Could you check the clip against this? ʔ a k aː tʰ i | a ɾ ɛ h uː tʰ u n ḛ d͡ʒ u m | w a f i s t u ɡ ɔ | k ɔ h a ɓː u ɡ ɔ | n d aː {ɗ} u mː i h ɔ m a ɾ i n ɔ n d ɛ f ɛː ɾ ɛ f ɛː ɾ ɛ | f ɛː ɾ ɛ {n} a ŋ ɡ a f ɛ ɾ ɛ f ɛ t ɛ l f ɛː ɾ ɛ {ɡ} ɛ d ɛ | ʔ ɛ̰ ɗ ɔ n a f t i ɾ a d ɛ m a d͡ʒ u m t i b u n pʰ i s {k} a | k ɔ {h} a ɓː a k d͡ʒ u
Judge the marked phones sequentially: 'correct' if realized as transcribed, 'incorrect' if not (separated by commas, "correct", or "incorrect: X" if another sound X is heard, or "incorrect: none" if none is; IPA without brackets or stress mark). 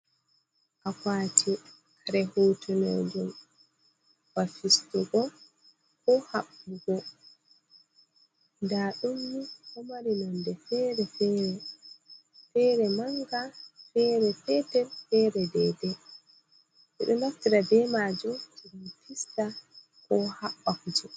correct, incorrect: m, incorrect: d, incorrect: t, correct